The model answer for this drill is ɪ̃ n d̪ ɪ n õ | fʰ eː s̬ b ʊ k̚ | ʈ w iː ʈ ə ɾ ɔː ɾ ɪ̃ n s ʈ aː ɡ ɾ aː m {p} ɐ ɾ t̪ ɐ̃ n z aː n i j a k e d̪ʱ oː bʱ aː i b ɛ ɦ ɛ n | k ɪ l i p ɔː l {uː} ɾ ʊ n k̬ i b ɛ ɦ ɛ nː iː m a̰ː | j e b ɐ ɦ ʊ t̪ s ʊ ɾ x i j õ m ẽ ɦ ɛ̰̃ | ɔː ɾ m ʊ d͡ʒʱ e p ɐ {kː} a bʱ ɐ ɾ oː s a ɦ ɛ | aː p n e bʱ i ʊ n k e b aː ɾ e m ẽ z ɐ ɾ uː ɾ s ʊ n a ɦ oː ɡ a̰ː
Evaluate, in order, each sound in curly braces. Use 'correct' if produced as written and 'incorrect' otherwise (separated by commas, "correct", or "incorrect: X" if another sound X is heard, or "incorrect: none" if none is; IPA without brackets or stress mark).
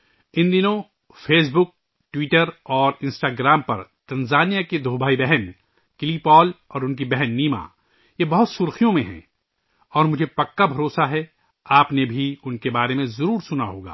correct, incorrect: ɔː, correct